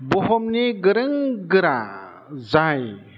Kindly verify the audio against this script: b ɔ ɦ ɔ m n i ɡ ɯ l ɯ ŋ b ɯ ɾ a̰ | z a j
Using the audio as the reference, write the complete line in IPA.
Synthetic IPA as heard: b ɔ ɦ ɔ m n i ɡ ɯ ɾ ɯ ŋ ɡ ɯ ɾ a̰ | z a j